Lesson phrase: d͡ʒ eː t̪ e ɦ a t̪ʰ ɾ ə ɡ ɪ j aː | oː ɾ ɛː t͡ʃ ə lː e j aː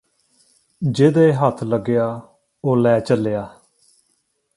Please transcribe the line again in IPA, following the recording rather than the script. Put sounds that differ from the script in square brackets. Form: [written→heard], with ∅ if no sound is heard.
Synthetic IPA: d͡ʒ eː [t̪→d̪] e ɦ [a→ə] t̪ʰ [ɾ→l] ə ɡ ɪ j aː | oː [ɾ→l] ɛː t͡ʃ ə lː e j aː